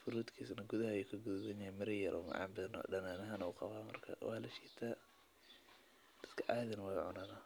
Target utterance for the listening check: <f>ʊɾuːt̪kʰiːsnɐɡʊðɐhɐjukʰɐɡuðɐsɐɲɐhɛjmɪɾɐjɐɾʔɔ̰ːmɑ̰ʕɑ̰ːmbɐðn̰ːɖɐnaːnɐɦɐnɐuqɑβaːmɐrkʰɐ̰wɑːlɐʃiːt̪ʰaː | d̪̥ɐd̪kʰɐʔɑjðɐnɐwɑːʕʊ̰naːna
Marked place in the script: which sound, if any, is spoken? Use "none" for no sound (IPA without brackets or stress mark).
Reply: f